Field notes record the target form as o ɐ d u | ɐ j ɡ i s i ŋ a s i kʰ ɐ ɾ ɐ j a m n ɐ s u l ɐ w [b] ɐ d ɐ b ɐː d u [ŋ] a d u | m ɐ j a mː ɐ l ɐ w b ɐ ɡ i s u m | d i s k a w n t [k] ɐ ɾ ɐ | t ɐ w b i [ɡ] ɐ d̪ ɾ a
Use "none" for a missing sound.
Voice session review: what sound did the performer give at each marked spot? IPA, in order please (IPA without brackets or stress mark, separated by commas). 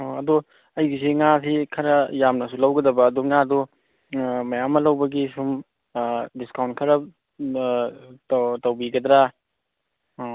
ɡ, ŋ, kʰ, ɡ